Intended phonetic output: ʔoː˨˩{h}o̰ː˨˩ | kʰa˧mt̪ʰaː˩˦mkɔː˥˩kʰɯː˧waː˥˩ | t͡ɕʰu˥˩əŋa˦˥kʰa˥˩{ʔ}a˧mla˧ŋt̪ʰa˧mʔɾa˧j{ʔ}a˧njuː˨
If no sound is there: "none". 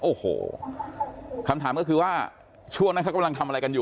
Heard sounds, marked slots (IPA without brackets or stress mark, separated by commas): h, k, k